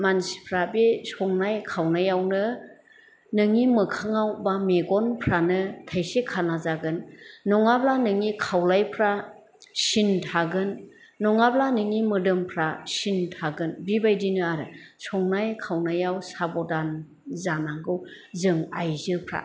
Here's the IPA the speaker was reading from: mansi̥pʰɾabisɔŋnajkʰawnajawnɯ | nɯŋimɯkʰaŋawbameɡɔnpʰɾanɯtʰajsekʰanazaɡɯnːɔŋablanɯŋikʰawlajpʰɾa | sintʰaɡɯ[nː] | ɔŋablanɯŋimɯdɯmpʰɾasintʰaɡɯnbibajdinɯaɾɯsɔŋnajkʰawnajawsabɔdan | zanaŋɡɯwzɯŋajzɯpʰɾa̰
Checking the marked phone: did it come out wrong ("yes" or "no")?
no